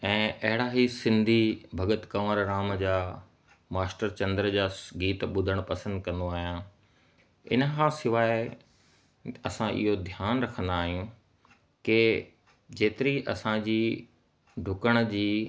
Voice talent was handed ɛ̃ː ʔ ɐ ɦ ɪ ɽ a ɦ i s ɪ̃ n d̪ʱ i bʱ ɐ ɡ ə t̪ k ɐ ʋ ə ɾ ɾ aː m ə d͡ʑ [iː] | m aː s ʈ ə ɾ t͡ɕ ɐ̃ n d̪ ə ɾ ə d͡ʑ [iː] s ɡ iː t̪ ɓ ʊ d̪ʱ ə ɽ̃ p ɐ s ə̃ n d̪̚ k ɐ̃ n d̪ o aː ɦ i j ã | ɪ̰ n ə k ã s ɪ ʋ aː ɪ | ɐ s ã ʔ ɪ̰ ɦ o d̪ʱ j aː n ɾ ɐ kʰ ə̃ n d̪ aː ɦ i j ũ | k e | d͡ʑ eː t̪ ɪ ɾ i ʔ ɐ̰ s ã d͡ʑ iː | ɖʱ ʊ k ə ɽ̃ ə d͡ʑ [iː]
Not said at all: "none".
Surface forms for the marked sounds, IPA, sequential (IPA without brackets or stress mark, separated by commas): aː, aː, iː